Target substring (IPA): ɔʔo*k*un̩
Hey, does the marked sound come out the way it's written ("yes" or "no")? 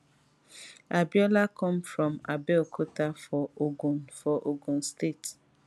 no